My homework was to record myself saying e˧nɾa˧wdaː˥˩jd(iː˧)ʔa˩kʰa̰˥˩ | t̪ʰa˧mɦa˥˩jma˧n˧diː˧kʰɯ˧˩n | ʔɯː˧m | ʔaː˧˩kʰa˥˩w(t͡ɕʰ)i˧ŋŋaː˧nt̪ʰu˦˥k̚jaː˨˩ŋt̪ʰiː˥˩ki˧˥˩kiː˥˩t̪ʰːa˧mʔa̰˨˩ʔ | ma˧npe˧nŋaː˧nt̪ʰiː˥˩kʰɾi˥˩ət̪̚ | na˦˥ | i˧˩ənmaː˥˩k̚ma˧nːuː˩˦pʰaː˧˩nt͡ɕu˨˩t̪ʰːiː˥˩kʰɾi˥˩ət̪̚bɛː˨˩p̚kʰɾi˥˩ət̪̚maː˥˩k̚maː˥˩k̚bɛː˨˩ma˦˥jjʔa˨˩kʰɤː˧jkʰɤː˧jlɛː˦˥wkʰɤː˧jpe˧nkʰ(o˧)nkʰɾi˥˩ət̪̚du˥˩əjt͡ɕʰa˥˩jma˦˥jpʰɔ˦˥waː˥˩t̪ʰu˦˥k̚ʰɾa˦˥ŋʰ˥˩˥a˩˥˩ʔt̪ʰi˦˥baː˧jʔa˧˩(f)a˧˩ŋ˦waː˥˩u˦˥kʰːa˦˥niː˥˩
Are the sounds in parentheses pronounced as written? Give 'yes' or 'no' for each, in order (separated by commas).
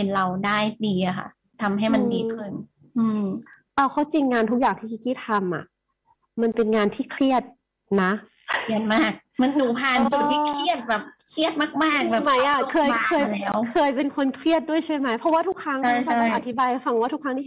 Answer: yes, no, yes, yes